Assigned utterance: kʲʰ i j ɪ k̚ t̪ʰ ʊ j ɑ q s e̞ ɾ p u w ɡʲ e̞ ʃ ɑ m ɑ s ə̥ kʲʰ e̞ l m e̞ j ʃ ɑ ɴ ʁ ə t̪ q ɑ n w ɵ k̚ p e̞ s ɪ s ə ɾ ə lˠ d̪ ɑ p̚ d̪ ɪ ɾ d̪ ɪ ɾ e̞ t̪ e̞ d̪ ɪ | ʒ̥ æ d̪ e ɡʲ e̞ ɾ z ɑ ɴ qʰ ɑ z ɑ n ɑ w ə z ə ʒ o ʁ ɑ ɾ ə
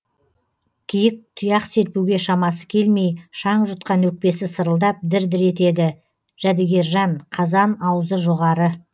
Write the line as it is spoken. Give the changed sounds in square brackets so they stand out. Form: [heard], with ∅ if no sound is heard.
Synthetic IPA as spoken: kʲʰ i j ɪ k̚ t̪ʰ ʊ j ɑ q s e̞ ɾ p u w ɡʲ e̞ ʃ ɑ m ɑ s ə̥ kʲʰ e̞ l m e̞ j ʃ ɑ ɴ [ʒ] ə t̪ q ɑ n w ɵ k̚ p e̞ s ɪ s ə ɾ ə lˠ d̪ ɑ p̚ d̪ ɪ ɾ d̪ ɪ ɾ e̞ t̪ e̞ d̪ ɪ | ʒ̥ æ d̪ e ɡʲ e̞ ɾ [ʒ] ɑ ɴ qʰ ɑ z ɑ n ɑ w ə z ə ʒ o ʁ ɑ ɾ ə

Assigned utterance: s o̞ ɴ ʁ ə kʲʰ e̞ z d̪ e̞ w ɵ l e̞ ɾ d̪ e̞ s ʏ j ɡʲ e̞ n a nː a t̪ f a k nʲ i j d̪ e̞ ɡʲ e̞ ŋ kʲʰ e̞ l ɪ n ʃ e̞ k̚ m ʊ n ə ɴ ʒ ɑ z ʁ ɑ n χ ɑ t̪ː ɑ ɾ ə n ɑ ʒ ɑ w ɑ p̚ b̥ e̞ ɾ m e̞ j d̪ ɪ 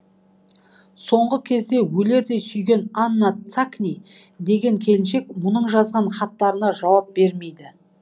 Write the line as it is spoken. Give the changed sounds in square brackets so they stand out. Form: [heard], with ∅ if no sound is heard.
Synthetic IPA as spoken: s o̞ ɴ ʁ ə kʲʰ e̞ z d̪ e̞ w ɵ l e̞ ɾ d̪ e̞ s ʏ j ɡʲ e̞ n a nː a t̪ [s] a k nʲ i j d̪ e̞ ɡʲ e̞ ŋ kʲʰ e̞ l ɪ n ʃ e̞ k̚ m ʊ n ə ɴ ʒ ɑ z ʁ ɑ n χ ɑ t̪ː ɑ ɾ ə n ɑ ʒ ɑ w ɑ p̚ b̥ e̞ ɾ m e̞ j d̪ ɪ

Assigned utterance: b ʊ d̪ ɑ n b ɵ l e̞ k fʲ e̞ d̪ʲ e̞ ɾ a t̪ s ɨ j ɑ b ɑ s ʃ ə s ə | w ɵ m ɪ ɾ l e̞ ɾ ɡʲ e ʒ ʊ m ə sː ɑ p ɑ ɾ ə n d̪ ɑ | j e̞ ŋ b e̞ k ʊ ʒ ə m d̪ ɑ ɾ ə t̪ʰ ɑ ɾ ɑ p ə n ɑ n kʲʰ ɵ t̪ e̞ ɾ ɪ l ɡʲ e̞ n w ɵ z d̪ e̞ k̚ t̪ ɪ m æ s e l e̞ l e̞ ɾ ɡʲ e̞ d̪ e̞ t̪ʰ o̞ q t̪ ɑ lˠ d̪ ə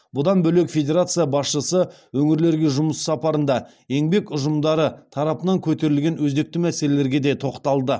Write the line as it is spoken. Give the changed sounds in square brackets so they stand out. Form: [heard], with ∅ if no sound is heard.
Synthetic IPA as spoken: b ʊ d̪ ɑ n b ɵ l e̞ k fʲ e̞ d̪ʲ e̞ ɾ a t̪ s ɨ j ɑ b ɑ s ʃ ə s ə | w ɵ [ŋ] ɪ ɾ l e̞ ɾ ɡʲ e ʒ ʊ m ə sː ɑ p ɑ ɾ ə n d̪ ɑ | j e̞ ŋ b e̞ k ʊ ʒ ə m d̪ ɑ ɾ ə t̪ʰ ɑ ɾ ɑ p ə n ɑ [ŋ] kʲʰ ɵ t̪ e̞ ɾ ɪ l ɡʲ e̞ n w ɵ z d̪ e̞ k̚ t̪ ɪ m æ s e l e̞ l e̞ ɾ ɡʲ e̞ d̪ e̞ t̪ʰ o̞ q t̪ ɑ lˠ d̪ ə

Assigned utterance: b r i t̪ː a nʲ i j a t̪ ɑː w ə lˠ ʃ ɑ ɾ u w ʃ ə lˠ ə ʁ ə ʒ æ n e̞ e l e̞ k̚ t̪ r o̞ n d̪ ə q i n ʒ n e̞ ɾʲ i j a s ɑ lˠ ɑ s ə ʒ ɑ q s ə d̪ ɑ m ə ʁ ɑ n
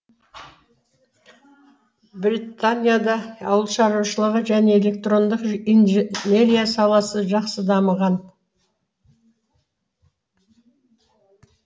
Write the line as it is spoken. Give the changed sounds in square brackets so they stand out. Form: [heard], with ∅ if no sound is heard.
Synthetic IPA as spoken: b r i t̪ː a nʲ i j a [d̪] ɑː w ə lˠ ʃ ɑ ɾ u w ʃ ə lˠ ə ʁ ə ʒ æ n e̞ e l e̞ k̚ t̪ r o̞ n d̪ ə q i n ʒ n e̞ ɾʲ i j a s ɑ lˠ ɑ s ə ʒ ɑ q s ə d̪ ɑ m ə ʁ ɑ n

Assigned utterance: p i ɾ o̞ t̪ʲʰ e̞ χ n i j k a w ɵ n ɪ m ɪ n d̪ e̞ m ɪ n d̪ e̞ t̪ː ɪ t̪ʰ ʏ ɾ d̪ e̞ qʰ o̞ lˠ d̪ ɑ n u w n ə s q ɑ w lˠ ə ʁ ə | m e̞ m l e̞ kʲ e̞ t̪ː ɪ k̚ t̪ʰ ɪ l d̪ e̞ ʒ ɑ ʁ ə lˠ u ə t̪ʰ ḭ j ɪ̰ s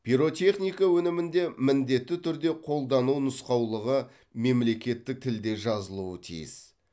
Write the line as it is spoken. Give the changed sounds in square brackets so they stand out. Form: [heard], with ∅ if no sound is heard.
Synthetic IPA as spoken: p i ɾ o̞ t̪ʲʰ e̞ χ n i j k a w ɵ n ɪ m ɪ n d̪ e̞ m ɪ n d̪ e̞ t̪ː ɪ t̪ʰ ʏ ɾ d̪ e̞ qʰ o̞ lˠ d̪ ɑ n u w n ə s q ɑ w lˠ ə ʁ ə | m e̞ m l e̞ kʲ e̞ t̪ː ɪ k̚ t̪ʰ ɪ l d̪ e̞ ʒ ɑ [z] ə lˠ u ə t̪ʰ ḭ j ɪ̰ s

